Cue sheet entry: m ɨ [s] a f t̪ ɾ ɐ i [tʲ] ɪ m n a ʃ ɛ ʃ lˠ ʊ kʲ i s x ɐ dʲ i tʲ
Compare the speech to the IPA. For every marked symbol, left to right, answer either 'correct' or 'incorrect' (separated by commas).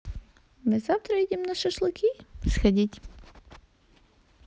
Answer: incorrect, incorrect